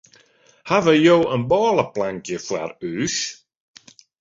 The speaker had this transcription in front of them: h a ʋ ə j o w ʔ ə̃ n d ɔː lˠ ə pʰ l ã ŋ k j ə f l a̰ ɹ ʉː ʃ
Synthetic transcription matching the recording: h a v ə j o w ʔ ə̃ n b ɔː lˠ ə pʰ l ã ŋ k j ə f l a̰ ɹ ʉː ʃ